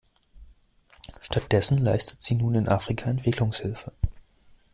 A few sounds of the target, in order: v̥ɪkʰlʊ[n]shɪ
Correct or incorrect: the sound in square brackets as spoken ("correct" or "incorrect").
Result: incorrect